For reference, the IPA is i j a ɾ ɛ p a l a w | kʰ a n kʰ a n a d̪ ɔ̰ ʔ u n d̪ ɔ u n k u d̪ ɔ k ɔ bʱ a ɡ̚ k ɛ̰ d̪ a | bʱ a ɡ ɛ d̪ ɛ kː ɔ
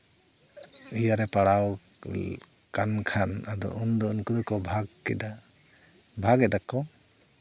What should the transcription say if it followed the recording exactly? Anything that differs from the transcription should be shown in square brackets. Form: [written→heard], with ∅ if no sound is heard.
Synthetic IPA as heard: i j a ɾ ɛ p a [l→ɽ] a w | [kʰ→k] a n kʰ a n a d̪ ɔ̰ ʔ u n d̪ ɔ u n k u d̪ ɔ k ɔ bʱ a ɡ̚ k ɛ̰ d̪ a | bʱ a ɡ ɛ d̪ [ɛ→a] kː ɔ

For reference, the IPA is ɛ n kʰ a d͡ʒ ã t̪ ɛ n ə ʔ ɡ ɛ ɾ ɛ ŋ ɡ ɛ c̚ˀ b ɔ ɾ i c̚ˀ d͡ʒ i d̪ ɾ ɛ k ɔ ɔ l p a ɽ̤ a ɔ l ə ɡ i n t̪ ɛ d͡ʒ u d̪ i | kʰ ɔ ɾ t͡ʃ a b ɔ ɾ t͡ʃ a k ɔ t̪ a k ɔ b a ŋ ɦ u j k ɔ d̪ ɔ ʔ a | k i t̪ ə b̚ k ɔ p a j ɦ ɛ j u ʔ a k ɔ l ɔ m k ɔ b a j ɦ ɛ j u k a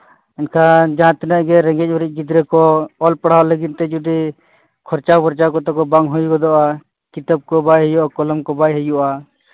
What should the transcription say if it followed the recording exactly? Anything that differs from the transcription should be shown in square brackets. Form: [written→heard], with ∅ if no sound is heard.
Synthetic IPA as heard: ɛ n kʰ a d͡ʒ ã t̪ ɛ n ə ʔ ɡ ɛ ɾ ɛ ŋ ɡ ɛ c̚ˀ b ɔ ɾ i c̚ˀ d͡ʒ i d̪ ɾ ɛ k ɔ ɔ l p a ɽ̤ a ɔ l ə ɡ i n t̪ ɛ d͡ʒ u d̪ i | kʰ ɔ ɾ t͡ʃ a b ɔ ɾ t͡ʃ a k ɔ t̪ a k ɔ b a ŋ ɦ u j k ɔ d̪ ɔ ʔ a | k i t̪ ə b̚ k ɔ [p→b] a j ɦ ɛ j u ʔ a k ɔ l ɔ m k ɔ b a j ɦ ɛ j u [k→ʔ] a

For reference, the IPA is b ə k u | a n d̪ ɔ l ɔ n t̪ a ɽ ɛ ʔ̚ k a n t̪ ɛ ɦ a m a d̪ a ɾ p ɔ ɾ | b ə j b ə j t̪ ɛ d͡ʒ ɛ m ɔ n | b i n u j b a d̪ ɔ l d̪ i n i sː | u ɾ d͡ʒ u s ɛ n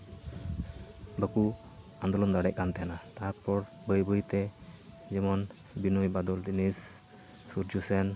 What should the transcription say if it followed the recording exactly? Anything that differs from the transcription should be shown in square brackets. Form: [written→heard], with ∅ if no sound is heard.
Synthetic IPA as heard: b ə k u | a n d̪ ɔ l ɔ n [t̪→d̪] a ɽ ɛ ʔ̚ k a n t̪ ɛ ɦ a [m→n] a [d̪→t̪] a ɾ p ɔ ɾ | b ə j b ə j t̪ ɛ d͡ʒ ɛ m ɔ n | b i n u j b a d̪ ɔ l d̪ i n i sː | u ɾ d͡ʒ u s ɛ n

